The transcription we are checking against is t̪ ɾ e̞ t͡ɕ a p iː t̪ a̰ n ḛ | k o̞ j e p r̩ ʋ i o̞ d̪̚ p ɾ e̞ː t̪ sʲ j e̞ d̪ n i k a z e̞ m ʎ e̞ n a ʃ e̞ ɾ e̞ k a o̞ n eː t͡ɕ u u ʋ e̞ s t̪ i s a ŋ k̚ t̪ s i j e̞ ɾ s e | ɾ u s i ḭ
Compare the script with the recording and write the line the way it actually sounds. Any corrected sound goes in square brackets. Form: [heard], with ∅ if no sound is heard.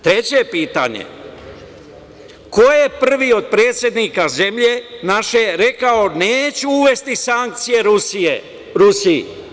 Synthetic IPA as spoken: t̪ ɾ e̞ t͡ɕ [e] p iː t̪ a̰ [ɲ] ḛ | k o̞ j e p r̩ ʋ i o̞ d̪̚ p ɾ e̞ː t̪ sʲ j e̞ d̪ n i k a z e̞ m ʎ e̞ n a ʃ e̞ ɾ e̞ k a o̞ n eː t͡ɕ u u ʋ e̞ s t̪ i s a ŋ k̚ t̪ s i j e̞ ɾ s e | ɾ u s i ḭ